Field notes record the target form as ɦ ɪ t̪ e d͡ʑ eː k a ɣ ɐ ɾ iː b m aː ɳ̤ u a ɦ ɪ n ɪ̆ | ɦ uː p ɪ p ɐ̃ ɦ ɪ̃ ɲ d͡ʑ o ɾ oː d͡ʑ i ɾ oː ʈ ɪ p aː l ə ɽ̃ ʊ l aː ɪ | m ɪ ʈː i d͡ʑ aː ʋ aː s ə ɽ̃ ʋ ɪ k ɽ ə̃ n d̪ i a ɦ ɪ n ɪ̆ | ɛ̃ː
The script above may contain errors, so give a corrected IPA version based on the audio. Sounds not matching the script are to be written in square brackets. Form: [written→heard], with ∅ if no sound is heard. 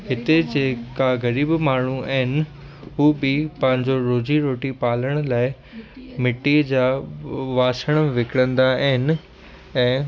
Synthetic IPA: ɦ ɪ t̪ e d͡ʑ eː k a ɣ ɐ ɾ iː b m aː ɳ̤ u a ɦ ɪ n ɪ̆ | ɦ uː [p→b] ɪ p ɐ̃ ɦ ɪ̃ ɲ d͡ʑ o ɾ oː d͡ʑ i ɾ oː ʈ [ɪ→i] p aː l ə ɽ̃ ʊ l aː ɪ | m ɪ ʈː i d͡ʑ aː ʋ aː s ə ɽ̃ ʋ ɪ k ɽ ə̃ n d̪ [i→a] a ɦ ɪ n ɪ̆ | ɛ̃ː